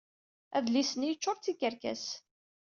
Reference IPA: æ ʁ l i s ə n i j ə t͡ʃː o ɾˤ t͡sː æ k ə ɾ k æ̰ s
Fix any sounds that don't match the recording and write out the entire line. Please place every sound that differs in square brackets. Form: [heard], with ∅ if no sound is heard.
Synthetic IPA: æ [ð] l i s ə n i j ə t͡ʃː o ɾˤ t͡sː [i] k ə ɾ k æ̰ s